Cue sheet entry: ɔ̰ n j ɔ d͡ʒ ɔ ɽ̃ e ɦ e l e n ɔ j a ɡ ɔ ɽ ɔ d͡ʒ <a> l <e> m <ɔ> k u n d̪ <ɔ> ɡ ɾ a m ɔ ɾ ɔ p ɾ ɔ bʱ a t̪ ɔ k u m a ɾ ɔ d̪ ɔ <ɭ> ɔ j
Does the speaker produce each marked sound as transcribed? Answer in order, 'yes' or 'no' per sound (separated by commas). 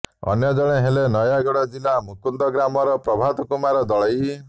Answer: no, no, no, yes, yes